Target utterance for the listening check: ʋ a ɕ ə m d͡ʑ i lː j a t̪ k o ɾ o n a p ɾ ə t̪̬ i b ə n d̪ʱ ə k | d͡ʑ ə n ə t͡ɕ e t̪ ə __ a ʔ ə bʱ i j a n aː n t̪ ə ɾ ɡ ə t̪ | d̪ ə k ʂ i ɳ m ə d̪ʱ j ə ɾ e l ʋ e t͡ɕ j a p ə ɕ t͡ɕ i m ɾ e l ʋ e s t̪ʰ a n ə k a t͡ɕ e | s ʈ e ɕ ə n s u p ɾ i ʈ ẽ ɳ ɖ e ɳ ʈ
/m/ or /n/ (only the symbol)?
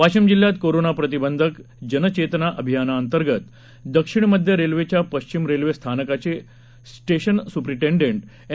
n